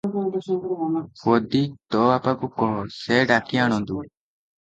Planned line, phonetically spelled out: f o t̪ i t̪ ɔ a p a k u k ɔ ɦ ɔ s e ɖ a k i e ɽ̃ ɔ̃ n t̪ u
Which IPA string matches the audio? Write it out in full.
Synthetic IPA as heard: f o d̪ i t̪ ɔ a p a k u k ɔ ɦ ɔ s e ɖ a k i a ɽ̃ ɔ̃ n d̪ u